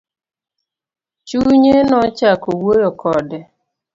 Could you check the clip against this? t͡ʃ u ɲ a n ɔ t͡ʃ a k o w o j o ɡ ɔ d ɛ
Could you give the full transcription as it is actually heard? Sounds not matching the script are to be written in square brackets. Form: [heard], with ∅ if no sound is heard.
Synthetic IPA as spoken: t͡ʃ u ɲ [e] n ɔ t͡ʃ a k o w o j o [k] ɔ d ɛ